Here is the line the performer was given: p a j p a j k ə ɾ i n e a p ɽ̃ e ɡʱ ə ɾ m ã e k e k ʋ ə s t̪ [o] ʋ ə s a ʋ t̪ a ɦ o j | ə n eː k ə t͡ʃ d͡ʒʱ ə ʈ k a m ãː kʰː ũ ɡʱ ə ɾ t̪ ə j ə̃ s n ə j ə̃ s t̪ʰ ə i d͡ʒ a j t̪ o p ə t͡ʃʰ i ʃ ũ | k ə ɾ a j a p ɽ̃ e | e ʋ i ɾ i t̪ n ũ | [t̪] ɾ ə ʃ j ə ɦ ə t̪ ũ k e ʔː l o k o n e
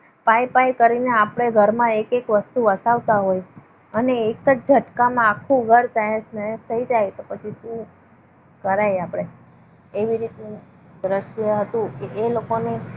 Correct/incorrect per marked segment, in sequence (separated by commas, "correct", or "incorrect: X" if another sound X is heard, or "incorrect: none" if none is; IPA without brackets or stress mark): incorrect: u, incorrect: d̪